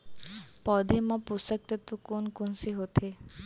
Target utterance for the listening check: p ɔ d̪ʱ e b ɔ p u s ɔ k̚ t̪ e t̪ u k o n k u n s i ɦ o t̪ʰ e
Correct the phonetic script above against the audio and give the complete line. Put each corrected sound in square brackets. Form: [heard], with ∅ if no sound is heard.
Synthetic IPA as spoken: p ɔ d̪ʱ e [m] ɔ p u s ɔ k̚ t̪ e t̪ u k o n k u n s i ɦ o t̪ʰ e